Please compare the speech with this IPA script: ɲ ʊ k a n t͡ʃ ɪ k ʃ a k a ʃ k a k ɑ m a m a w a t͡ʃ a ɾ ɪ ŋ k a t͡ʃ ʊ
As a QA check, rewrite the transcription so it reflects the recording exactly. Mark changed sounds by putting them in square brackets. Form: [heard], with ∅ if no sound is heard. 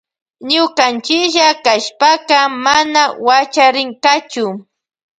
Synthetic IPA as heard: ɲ ʊ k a n t͡ʃ ɪ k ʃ a k a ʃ [p] a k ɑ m a [n] a w a t͡ʃ a ɾ ɪ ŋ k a t͡ʃ ʊ